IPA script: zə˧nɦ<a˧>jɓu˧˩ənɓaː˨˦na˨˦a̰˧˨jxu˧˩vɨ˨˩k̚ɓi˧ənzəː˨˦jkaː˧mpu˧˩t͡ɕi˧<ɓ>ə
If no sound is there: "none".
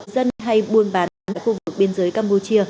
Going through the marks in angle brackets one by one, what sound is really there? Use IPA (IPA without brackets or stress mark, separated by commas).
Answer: a˧, none